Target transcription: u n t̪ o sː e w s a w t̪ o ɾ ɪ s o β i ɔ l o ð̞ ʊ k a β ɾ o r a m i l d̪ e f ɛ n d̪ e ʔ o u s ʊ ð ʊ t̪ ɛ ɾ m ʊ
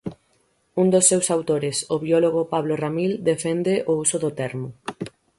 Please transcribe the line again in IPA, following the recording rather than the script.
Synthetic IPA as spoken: u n d̪ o sː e w s a w t̪ o ɾ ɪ s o β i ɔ l o ɣ̞ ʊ p a β l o r a m i l d̪ e f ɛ n d̪ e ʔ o u s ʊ ð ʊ t̪ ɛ ɾ m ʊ